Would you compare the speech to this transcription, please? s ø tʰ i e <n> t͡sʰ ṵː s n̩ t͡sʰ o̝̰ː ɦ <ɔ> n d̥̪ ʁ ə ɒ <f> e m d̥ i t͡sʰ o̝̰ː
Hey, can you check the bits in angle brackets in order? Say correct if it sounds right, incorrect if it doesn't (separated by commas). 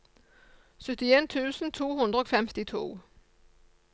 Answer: correct, incorrect, correct